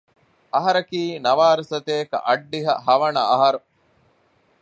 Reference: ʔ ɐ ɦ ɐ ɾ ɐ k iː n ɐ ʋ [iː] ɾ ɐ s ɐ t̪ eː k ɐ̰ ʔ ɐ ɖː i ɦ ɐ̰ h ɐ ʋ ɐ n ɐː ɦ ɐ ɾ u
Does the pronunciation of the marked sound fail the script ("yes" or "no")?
yes